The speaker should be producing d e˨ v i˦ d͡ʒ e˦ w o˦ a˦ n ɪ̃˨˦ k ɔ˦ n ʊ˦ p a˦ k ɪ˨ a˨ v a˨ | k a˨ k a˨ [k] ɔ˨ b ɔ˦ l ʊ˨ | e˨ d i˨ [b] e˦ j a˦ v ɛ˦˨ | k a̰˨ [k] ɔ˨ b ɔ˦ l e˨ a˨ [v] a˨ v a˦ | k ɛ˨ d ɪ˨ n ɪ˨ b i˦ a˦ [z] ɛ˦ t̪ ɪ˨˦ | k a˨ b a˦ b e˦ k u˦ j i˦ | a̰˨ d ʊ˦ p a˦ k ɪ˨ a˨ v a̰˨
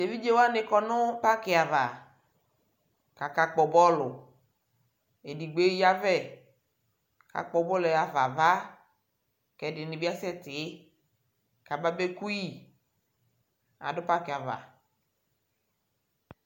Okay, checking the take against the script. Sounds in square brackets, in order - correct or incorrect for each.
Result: incorrect: k͡p, incorrect: ɡ͡b, incorrect: k͡p, correct, incorrect: s

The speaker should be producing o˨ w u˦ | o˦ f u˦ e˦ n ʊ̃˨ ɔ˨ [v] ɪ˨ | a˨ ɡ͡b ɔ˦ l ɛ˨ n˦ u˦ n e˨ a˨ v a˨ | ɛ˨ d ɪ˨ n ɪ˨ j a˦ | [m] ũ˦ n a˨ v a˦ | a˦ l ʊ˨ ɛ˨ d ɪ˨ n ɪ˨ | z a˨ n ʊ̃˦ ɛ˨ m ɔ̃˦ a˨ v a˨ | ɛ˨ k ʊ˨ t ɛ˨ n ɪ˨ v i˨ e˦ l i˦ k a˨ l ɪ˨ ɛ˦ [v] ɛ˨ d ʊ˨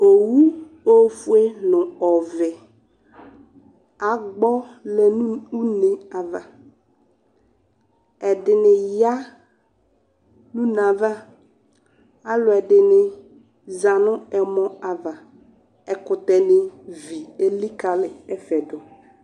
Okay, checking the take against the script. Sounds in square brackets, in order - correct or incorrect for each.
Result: correct, incorrect: n, incorrect: f

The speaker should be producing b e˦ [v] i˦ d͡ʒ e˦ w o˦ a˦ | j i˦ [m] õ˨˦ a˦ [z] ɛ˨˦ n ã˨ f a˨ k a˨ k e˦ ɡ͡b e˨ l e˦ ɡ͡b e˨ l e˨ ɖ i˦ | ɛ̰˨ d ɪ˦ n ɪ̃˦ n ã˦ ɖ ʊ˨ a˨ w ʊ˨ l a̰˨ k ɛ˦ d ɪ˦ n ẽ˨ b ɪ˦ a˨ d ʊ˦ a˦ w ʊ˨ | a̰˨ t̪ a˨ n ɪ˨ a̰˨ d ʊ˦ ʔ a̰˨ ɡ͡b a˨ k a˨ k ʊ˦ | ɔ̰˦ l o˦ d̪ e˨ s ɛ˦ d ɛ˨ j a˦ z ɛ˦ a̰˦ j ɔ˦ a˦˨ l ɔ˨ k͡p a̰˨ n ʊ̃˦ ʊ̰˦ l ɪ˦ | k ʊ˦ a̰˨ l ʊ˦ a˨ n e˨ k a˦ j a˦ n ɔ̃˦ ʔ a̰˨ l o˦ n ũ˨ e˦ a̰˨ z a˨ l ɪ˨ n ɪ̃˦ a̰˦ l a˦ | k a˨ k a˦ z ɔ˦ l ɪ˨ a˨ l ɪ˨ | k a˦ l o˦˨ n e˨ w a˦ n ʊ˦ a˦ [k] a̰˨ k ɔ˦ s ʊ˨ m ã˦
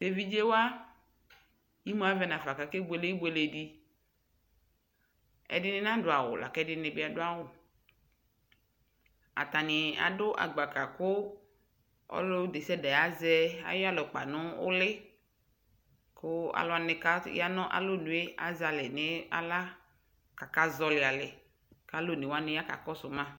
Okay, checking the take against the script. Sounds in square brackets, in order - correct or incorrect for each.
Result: correct, correct, incorrect: v, correct

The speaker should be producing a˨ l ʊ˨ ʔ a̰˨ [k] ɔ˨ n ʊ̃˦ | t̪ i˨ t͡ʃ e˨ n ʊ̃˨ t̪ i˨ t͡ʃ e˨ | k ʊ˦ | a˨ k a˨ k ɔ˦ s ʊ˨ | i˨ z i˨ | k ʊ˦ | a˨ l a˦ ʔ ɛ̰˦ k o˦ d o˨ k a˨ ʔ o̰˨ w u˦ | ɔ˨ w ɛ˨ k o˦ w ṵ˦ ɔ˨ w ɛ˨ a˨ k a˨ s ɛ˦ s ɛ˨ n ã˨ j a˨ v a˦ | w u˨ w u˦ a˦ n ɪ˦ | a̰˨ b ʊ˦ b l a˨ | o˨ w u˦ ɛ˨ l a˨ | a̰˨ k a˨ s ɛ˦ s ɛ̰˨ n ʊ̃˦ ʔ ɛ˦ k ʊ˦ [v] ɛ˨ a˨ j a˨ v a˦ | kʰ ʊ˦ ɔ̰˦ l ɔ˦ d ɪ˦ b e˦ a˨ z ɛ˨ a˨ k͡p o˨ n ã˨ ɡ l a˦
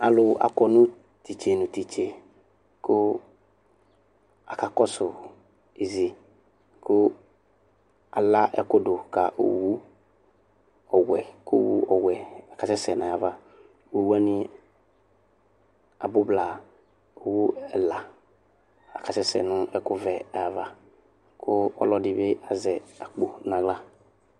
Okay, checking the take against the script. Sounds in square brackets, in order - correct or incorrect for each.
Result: correct, correct

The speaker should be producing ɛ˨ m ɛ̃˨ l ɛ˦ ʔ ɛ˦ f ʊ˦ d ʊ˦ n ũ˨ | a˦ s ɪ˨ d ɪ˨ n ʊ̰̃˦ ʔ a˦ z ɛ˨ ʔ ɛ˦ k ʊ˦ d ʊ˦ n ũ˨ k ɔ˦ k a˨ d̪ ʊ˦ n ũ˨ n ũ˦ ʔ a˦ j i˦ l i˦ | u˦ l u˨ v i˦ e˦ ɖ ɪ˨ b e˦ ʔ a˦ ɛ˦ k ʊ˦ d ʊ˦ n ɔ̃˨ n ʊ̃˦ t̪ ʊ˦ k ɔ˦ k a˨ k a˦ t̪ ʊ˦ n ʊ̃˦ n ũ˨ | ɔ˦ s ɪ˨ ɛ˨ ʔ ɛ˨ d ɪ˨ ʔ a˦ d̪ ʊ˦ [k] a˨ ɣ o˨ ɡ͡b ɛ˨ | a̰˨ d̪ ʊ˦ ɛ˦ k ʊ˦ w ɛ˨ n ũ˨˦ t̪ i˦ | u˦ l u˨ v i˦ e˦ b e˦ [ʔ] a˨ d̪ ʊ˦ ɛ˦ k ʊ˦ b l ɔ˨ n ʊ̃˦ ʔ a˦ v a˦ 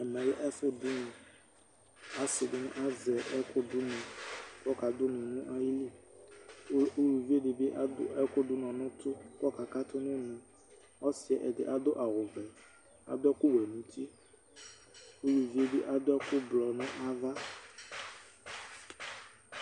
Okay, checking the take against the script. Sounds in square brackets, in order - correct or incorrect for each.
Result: incorrect: ʔ, correct

